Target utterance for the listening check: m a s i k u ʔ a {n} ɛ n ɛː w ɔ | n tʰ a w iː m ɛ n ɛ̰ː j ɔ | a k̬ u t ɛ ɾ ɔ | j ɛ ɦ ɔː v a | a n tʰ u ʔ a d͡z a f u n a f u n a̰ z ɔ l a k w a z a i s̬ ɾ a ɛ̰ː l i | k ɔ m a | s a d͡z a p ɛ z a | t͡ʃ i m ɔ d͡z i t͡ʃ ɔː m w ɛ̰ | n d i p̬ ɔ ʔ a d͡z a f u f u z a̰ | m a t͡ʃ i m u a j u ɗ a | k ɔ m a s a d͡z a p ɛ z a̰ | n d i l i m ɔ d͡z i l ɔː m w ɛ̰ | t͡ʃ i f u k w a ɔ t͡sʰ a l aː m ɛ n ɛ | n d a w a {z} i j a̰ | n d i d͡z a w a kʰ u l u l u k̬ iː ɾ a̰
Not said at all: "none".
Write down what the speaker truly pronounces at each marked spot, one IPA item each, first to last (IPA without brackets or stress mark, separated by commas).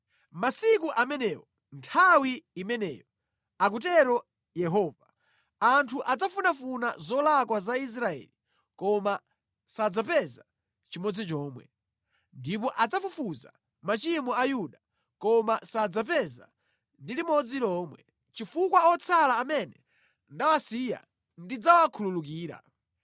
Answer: m, s